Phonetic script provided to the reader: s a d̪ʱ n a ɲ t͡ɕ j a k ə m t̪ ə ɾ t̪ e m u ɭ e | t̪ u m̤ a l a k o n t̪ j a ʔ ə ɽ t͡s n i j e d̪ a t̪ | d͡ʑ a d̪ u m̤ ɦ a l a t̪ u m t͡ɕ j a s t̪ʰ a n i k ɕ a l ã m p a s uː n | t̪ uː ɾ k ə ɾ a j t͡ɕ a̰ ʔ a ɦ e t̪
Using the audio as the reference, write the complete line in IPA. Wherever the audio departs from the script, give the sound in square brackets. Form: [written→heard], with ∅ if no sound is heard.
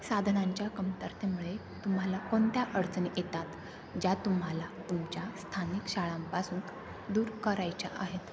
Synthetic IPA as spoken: s a d̪ʱ n a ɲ t͡ɕ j a k ə m t̪ ə ɾ t̪ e m u ɭ e | t̪ u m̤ a l a k o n t̪ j a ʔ ə ɽ t͡s n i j e [d̪→t̪] a t̪ | d͡ʑ a [d̪→t̪] u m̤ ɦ a l a t̪ u m t͡ɕ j a s t̪ʰ a n i k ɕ a [l→ɭ] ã m p a s uː n | [t̪→d̪] uː ɾ k ə ɾ a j t͡ɕ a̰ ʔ a ɦ e t̪